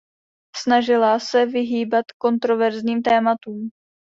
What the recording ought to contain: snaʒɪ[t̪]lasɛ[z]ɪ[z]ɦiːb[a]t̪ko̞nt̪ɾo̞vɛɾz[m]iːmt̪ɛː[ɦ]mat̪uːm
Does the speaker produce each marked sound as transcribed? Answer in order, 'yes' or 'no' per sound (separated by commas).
no, no, no, yes, no, no